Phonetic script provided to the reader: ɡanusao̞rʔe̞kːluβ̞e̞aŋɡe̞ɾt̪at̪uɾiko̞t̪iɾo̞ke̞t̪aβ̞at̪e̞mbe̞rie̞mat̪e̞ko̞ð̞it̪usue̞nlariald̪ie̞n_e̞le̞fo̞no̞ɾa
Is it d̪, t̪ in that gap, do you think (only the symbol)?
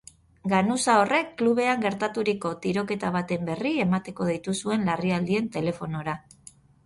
t̪